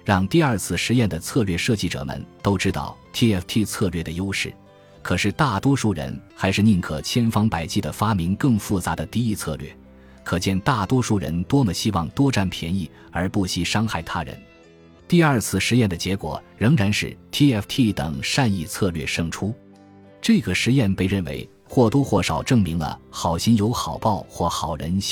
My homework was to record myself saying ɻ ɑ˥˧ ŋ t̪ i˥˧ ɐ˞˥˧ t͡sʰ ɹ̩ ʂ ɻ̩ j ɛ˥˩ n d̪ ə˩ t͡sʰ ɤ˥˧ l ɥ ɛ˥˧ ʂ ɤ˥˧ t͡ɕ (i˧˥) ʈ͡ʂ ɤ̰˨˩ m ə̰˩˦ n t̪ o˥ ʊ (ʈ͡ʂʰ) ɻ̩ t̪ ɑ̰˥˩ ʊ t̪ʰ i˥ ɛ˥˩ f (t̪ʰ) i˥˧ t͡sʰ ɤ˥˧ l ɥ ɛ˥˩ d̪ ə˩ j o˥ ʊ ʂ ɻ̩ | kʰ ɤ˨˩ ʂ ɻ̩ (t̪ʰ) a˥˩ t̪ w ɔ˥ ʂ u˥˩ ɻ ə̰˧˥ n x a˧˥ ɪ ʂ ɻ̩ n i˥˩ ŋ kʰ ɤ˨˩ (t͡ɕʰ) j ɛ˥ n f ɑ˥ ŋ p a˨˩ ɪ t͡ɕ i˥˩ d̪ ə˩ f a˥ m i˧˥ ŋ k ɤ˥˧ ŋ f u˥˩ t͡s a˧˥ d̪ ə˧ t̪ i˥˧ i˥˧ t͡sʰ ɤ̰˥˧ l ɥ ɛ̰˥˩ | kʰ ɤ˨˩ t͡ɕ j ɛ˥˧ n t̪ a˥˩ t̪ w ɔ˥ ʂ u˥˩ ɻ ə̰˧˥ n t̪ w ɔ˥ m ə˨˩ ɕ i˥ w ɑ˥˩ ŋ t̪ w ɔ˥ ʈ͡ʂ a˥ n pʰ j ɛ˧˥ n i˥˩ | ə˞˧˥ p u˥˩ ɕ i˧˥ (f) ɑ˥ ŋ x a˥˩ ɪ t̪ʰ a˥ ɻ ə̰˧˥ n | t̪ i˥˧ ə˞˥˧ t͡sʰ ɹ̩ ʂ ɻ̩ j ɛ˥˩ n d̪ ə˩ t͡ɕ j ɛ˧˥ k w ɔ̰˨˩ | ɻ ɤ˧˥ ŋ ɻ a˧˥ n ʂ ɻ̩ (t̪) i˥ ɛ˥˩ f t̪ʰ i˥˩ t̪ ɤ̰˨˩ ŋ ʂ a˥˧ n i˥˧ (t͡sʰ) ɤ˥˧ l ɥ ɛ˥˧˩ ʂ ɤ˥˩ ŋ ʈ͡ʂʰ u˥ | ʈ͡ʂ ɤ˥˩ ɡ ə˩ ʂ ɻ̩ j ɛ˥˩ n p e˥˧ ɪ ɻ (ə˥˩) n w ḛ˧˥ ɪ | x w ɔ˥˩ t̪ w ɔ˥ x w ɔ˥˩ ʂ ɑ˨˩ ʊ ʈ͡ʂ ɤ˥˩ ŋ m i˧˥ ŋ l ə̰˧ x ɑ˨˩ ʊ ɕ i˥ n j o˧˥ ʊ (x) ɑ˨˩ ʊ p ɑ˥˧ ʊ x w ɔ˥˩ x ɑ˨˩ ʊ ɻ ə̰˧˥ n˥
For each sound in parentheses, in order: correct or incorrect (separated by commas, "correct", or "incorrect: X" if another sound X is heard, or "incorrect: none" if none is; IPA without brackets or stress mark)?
incorrect: i˥˩, incorrect: ʈ͡ʂ, correct, incorrect: t̪, correct, incorrect: ʂ, incorrect: t̪ʰ, correct, correct, correct